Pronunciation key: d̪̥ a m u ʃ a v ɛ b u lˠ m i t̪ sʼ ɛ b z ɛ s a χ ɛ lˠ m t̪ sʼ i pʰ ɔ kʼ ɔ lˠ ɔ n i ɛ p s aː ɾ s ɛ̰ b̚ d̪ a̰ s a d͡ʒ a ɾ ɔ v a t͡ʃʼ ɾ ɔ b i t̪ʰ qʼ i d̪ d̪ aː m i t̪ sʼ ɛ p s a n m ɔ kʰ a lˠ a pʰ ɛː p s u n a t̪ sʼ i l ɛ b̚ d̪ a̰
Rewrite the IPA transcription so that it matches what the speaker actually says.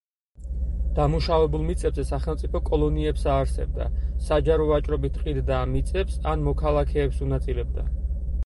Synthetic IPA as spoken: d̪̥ a m u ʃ a v ɛ b u lˠ m i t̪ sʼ ɛ b z ɛ s a χ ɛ lˠ m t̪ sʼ i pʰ ɔ kʼ ɔ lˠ ɔ n i ɛ p s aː ɾ s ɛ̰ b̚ d̪ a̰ s a d͡ʒ a ɾ ɔ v a t͡ʃʼ ɾ ɔ b i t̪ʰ qʼ i d̪ d̪ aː m i t̪ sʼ ɛ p s a n m ɔ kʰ a lˠ a kʰ ɛː p s u n a t̪ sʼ i l ɛ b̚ d̪ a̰

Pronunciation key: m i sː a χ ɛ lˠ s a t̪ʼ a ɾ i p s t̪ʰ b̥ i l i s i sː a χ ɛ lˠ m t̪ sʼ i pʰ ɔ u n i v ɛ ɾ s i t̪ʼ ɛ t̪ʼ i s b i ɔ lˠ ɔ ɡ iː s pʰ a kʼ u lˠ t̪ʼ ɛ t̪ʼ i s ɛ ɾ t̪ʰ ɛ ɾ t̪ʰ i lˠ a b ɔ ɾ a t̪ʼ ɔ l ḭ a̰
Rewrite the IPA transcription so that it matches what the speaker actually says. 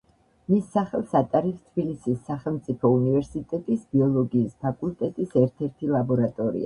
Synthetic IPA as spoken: m i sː a χ ɛ lˠ s a t̪ʼ a ɾ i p s t̪ʰ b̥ i l i s i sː a χ ɛ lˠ m t̪ sʼ i pʰ ɔ u n i v ɛ ɾ s i t̪ʼ ɛ t̪ʼ i s b i ɔ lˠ ɔ ɡ iː s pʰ a kʼ u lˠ t̪ʼ ɛ t̪ʼ i s ɛ ɾ t̪ʰ ɛ ɾ t̪ʰ i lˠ a b ɔ ɾ a t̪ʼ ɔ ɾ ḭ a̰

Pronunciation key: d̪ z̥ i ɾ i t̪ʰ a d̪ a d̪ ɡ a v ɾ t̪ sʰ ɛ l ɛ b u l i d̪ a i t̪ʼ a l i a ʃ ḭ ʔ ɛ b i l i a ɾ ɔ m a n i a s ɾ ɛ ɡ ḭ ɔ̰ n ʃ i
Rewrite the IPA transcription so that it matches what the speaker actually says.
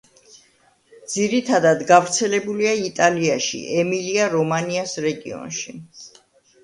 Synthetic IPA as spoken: d̪ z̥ i ɾ i t̪ʰ a d̪ a d̪ ɡ a v ɾ t̪ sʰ ɛ l ɛ b u l i a i t̪ʼ a l i a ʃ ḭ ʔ ɛ m i l i a ɾ ɔ m a n i a s ɾ ɛ ɡ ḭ ɔ̰ n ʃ i

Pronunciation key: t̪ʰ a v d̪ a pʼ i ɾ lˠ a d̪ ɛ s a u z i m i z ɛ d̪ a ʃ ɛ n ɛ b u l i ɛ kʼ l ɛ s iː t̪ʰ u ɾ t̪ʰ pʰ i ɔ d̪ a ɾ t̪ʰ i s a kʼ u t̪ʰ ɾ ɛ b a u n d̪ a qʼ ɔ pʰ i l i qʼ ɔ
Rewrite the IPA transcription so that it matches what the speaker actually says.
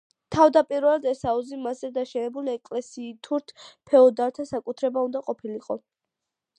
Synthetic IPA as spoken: t̪ʰ a v d̪ a pʼ i ɾ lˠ a d̪ ɛ s a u z i m a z ɛ d̪ a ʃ ɛ n ɛ b u l i ɛ kʼ l ɛ s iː t̪ʰ u ɾ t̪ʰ pʰ ɛ ɔ d̪ a ɾ t̪ʰ a s a kʼ u t̪ʰ ɾ ɛ b a u n d̪ a qʼ ɔ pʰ i l i qʼ ɔ

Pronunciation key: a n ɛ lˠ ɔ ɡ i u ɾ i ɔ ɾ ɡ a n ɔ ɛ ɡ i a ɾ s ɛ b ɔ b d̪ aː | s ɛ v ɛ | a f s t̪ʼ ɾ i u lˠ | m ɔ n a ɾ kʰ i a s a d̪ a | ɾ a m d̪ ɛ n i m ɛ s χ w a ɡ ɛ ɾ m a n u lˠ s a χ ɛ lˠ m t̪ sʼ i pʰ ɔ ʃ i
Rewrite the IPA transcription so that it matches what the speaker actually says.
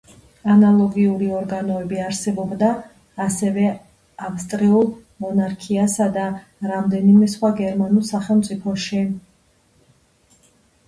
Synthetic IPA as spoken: a n a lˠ ɔ ɡ i u ɾ i ɔ ɾ ɡ a n ɔ ɛ b i a ɾ s ɛ b ɔ b d̪ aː | s ɛ v ɛ | a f s t̪ʼ ɾ i u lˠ | m ɔ n a ɾ kʰ i a s a d̪ a | ɾ a m d̪ ɛ n i m ɛ s χ w a ɡ ɛ ɾ m a n u lˠ s a χ ɛ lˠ m t̪ sʼ i pʰ ɔ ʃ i

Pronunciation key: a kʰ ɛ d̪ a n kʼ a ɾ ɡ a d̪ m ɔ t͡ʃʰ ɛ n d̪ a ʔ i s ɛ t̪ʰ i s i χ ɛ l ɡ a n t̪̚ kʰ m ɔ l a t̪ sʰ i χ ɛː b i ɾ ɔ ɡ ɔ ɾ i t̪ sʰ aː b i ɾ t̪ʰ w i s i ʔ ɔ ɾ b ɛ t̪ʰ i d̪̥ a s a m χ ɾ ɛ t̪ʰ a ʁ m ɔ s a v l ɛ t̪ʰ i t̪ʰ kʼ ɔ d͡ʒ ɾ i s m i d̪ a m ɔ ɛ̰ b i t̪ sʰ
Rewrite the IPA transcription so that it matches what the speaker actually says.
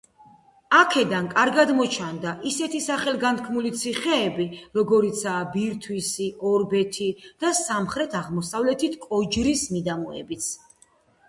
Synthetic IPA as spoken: a kʰ ɛ d̪ a n kʼ a ɾ ɡ a d̪ m ɔ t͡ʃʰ a n d̪ a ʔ i s ɛ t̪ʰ i s a χ ɛ l ɡ a n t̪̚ kʰ m u l i t̪ sʰ i χ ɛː b i ɾ ɔ ɡ ɔ ɾ i t̪ sʰ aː b i ɾ t̪ʰ w i s i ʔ ɔ ɾ b ɛ t̪ʰ i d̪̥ a s a m χ ɾ ɛ t̪ʰ a ʁ m ɔ s a v l ɛ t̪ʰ i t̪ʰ kʼ ɔ d͡ʒ ɾ i s m i d̪ a m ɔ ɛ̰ b i t̪ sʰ

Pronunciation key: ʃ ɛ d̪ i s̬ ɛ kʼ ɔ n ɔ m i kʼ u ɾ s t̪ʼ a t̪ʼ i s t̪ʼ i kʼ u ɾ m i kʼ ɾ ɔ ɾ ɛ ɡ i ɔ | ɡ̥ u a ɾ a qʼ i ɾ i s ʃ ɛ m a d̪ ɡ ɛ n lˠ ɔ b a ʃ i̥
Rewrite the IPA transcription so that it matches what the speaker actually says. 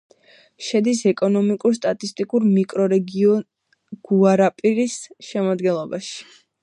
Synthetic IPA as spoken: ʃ ɛ d̪ i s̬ ɛ kʼ ɔ n ɔ m i kʼ u ɾ s t̪ʼ a t̪ʼ i s t̪ʼ i kʼ u ɾ m i kʼ ɾ ɔ ɾ ɛ ɡ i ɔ | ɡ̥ u a ɾ a pʼ i ɾ i s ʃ ɛ m a d̪ ɡ ɛ n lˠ ɔ b a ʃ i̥

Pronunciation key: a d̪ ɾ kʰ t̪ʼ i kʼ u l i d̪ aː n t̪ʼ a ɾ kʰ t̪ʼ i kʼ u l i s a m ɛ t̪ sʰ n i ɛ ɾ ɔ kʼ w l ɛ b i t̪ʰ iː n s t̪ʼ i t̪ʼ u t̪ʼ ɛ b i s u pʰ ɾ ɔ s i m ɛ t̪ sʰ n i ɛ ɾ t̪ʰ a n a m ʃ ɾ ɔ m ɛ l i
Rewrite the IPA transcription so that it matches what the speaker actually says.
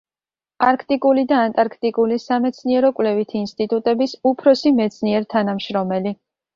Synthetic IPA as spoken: a ɾ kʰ t̪ʼ i kʼ u l i d̪ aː n t̪ʼ a ɾ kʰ t̪ʼ i kʼ u l i s a m ɛ t̪ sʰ n i ɛ ɾ ɔ kʼ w l ɛ v i t̪ʰ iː n s t̪ʼ i t̪ʼ u t̪ʼ ɛ b i s u pʰ ɾ ɔ s i m ɛ t̪ sʰ n i ɛ ɾ t̪ʰ a n a m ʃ ɾ ɔ m ɛ l i

